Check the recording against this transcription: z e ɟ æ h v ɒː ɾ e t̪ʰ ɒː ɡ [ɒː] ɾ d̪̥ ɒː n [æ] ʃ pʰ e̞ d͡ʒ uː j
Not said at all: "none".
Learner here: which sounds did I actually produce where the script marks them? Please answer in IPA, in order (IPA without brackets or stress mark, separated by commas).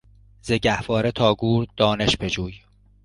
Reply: uː, e